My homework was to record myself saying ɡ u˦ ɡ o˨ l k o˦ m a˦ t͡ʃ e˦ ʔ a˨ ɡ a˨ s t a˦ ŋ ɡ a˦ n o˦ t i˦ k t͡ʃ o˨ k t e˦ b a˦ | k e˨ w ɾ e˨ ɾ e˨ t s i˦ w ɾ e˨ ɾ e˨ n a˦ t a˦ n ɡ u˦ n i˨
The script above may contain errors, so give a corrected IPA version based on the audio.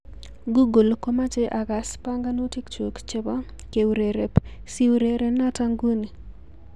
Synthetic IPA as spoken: ɡ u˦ ɡ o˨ l k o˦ m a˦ t͡ʃ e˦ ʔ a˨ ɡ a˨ s p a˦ ŋ ɡ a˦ n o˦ t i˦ k t͡ʃ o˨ k t͡ʃ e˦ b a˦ | k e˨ w ɾ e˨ ɾ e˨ p s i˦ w ɾ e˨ ɾ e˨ n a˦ t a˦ ŋ ɡ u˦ n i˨